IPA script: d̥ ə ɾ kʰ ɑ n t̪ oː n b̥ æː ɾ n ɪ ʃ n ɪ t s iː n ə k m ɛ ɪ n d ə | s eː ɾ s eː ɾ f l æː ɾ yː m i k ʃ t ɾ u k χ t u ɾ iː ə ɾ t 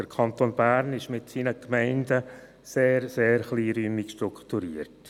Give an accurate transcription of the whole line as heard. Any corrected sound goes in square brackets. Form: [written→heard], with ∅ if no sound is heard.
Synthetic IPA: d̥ ə ɾ kʰ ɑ n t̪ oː n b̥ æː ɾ n ɪ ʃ [n→m] ɪ t s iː n ə k m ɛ ɪ n d ə | s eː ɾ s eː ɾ [f→χ] l [æː→iː] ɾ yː m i k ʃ t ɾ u k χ t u ɾ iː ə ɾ t